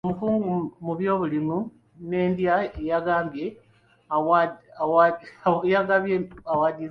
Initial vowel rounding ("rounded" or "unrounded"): rounded